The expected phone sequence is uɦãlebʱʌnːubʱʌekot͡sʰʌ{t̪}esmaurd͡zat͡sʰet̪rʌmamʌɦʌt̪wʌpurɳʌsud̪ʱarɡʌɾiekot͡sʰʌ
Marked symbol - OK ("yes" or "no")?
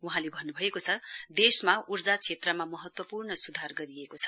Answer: no